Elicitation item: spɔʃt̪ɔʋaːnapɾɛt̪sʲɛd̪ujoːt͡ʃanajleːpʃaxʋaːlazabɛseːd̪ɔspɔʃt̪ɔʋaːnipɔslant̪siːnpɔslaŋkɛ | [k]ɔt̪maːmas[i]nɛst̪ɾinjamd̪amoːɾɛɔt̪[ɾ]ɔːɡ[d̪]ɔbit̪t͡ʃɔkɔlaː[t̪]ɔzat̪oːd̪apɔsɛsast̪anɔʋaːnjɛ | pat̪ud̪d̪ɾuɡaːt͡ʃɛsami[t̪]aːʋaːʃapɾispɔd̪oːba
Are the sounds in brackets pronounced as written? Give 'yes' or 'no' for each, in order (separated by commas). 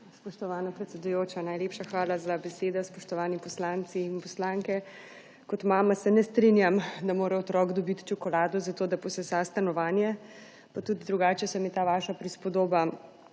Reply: yes, no, yes, yes, no, yes